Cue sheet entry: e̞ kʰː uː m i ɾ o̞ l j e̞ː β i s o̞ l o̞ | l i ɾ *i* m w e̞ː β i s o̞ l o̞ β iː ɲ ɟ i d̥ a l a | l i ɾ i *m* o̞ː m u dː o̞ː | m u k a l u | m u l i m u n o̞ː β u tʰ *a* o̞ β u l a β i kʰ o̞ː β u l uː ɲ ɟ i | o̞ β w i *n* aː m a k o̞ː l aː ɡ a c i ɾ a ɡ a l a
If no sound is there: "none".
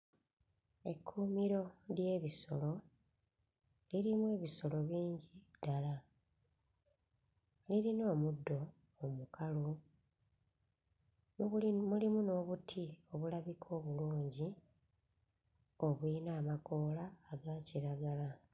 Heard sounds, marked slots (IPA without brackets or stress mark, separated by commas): i, n, i, n